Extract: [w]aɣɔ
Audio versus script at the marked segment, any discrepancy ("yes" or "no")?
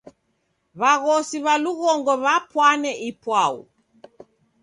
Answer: yes